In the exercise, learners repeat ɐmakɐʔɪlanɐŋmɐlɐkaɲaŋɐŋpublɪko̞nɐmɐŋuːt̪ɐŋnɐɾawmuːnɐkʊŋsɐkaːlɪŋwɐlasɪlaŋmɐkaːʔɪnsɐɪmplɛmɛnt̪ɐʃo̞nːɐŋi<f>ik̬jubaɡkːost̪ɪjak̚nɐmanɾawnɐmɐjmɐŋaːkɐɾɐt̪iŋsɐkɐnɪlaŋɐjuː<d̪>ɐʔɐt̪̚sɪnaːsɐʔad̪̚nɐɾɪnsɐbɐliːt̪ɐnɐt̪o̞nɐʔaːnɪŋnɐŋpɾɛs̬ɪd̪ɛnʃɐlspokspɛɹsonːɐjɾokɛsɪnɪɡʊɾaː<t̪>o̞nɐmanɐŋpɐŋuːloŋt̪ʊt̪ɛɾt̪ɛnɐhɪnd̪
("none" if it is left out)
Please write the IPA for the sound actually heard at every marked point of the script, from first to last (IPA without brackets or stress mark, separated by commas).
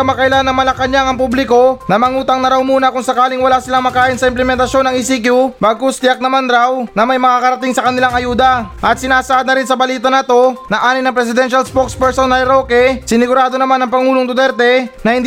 s, d̪, d̪